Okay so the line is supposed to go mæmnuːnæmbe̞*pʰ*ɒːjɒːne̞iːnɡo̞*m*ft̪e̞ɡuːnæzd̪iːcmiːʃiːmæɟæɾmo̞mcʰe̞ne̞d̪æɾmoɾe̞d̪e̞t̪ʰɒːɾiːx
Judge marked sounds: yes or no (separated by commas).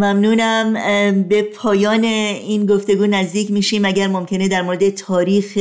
yes, no